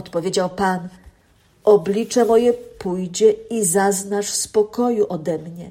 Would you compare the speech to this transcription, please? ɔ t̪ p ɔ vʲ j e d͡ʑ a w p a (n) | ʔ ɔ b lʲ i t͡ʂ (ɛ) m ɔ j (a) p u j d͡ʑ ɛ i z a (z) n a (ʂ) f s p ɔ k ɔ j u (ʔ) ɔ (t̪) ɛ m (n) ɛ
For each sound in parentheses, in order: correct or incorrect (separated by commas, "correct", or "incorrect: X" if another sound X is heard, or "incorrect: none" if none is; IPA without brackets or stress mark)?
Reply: correct, correct, incorrect: ɛ, correct, correct, correct, incorrect: d̪, incorrect: ɲ